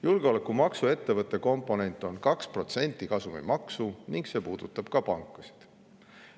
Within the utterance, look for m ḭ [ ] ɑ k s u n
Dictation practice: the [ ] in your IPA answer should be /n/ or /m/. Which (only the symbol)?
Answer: m